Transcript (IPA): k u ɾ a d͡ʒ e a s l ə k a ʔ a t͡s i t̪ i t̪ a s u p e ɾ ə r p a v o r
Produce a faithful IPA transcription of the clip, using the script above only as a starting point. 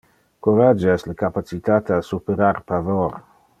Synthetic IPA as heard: k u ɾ a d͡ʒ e ɛ s l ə k a p a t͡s i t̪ a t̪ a s u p e ɾ a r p a v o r